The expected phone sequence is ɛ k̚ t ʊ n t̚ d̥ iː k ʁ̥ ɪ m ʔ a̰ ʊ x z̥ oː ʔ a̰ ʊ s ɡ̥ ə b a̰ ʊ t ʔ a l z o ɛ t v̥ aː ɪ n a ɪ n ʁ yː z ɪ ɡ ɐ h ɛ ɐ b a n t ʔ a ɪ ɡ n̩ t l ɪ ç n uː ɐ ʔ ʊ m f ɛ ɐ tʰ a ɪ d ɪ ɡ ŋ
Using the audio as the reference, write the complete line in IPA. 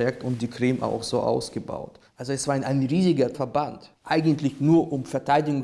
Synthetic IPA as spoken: ɛ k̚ t ʊ n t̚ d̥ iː k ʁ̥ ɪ m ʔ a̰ ʊ x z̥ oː ʔ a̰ ʊ s ɡ̥ ə b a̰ ʊ t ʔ a l z o ɛ s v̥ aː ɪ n a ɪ n ʁ iː z ɪ ɡ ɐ f ɛ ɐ b a n t ʔ a ɪ ɡ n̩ t l ɪ ç n uː ɐ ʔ ʊ m f ɛ ɐ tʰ a ɪ d ɪ ɡ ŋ